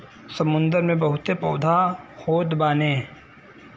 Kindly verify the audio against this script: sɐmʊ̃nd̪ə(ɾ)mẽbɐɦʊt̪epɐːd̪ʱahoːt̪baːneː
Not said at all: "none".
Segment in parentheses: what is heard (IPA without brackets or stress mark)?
ɾ